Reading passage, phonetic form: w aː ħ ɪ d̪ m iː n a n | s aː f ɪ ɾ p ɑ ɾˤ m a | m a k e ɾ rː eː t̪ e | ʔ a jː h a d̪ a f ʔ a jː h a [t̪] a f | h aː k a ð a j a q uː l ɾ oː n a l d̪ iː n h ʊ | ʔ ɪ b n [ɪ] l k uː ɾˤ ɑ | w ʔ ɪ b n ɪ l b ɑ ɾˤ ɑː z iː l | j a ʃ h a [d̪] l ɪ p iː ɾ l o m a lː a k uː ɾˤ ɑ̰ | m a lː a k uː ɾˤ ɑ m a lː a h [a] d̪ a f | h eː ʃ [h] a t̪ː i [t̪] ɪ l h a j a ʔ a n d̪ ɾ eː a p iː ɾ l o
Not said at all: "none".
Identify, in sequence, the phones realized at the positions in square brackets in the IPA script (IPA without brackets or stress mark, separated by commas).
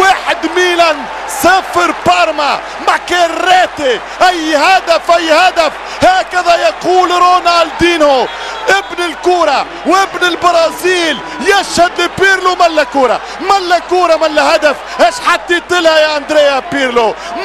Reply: d̪, ɪ, d̪, a, ħ, t̪